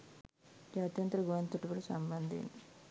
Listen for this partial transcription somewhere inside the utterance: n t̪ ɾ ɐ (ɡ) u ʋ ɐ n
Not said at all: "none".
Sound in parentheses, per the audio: ɡ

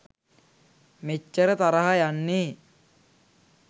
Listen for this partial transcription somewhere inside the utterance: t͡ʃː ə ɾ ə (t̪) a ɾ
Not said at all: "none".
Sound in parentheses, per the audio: t̪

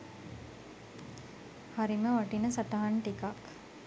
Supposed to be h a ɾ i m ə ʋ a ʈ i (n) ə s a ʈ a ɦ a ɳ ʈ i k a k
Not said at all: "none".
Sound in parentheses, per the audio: n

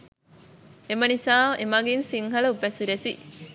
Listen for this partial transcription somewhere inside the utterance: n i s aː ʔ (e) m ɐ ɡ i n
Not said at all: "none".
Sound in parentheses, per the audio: e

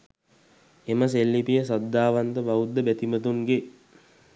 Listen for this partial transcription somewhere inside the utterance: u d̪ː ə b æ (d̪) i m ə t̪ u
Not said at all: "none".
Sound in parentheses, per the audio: t̪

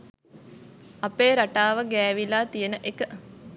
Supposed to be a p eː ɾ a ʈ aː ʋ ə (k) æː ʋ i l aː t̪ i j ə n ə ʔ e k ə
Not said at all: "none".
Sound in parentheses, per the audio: ɡ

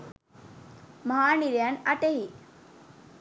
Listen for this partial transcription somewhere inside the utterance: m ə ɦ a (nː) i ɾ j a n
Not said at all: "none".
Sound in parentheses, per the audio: n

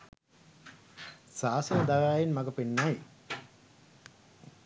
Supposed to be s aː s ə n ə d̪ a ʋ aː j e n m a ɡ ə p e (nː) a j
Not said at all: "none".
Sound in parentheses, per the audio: nː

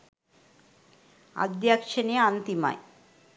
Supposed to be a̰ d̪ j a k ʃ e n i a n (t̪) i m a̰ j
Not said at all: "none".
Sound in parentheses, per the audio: t̪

